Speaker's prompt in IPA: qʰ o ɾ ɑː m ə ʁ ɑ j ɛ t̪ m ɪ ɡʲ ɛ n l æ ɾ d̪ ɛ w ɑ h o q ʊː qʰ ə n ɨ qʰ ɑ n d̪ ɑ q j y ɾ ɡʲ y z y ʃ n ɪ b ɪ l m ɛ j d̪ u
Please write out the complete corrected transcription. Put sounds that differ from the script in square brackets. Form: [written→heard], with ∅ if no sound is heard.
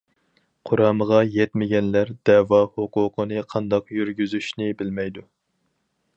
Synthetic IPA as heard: qʰ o ɾ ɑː m ə ʁ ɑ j ɛ t̪ m ɪ ɡʲ ɛ n l æ ɾ d̪ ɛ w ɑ h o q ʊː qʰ ə n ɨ qʰ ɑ n d̪ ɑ q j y ɾ ɡʲ y z y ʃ n ɪ b ɪ l m ɛ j d̪ u